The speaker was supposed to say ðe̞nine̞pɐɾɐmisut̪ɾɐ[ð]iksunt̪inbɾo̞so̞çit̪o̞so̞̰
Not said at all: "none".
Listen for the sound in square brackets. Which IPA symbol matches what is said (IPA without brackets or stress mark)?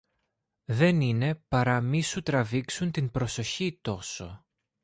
v